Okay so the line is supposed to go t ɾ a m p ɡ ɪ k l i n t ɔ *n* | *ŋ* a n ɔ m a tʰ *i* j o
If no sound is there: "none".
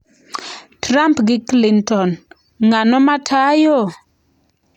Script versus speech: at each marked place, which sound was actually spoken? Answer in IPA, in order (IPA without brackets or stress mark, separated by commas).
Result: n, ŋ, a